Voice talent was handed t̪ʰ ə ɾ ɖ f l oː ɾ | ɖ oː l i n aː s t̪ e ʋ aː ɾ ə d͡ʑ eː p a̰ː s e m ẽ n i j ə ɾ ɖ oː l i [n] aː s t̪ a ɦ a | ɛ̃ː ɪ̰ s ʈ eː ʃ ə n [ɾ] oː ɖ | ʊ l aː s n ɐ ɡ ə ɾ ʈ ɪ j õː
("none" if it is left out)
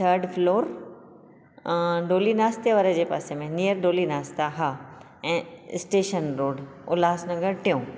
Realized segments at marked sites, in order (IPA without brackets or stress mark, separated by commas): n, ɾ